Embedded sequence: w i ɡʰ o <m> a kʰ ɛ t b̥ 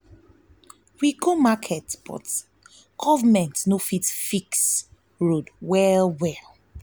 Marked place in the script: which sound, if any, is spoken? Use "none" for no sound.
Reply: m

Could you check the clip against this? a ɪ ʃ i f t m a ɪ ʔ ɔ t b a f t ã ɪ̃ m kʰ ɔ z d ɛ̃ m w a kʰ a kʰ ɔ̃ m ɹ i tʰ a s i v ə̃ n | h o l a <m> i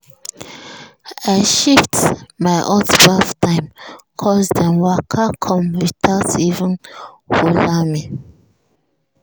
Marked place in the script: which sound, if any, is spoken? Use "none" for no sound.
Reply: m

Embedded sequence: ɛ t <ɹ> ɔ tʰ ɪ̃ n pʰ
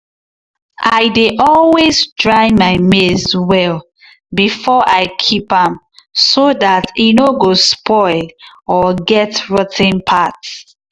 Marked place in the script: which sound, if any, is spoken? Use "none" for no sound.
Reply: ɹ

